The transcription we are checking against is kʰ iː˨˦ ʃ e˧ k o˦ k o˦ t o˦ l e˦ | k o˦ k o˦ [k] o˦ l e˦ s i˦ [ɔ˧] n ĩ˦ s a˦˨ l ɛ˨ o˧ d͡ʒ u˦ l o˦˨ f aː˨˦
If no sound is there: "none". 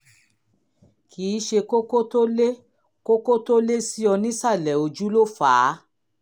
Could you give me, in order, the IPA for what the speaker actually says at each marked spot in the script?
t, ɔ˧

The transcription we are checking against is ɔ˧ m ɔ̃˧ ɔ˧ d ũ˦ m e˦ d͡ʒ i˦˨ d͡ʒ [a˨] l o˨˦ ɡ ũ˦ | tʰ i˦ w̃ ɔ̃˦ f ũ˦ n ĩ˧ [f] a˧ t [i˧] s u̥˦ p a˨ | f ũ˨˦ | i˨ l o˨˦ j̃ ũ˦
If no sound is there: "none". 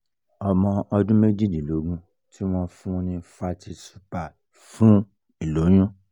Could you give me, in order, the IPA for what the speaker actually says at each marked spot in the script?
i˨, f, i˧

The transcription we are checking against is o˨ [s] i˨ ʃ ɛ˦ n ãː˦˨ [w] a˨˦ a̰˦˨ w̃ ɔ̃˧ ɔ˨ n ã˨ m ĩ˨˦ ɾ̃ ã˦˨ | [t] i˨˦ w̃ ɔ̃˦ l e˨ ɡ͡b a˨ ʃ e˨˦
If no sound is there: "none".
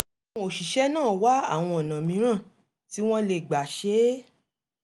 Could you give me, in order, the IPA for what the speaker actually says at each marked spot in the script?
ʃ, w, t

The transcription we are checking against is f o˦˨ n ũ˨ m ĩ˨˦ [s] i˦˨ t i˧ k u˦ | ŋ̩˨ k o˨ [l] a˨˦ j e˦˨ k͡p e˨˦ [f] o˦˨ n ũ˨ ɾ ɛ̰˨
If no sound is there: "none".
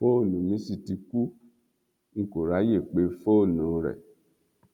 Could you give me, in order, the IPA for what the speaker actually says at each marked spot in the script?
s, ɾ, f

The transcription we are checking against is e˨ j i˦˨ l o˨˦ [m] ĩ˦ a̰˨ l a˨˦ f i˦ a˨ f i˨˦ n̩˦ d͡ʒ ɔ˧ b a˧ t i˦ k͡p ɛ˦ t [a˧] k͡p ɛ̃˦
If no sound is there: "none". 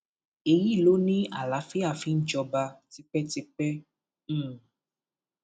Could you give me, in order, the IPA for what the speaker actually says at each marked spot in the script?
n, i˧

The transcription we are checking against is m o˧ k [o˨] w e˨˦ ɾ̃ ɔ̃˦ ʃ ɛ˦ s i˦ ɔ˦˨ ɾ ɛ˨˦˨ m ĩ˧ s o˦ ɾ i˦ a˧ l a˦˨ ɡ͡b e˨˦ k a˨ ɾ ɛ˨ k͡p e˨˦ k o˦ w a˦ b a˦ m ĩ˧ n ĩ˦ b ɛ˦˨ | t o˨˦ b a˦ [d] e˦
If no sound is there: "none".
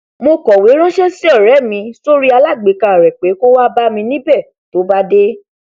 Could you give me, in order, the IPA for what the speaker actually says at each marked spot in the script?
ɔ˨, d

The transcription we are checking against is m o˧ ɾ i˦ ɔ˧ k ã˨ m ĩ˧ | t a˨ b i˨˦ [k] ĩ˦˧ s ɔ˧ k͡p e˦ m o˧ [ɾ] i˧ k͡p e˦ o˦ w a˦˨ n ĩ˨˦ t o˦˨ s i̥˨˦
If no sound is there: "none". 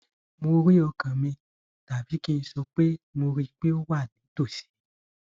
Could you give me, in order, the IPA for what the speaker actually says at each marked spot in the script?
k, ɾ

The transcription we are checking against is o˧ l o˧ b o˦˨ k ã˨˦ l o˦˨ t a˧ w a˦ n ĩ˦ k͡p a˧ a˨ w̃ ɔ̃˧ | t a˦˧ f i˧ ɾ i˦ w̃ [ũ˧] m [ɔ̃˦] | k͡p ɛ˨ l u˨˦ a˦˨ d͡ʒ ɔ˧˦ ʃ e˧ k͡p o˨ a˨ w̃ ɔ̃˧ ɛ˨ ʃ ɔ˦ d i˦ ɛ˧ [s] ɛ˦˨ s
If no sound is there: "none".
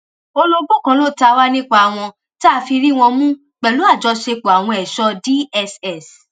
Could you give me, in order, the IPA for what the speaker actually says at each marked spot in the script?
ɔ̃˧, ũ˦, s

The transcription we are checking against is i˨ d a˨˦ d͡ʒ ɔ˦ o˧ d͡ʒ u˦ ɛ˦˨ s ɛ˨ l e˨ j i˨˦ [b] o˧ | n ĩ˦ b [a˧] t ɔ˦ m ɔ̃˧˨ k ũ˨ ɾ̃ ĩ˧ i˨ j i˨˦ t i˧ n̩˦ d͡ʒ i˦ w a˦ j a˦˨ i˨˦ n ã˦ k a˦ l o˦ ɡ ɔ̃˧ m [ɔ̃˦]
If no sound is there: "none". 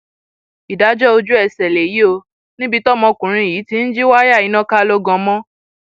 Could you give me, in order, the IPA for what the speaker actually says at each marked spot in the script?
none, i˧, ɔ̃˦

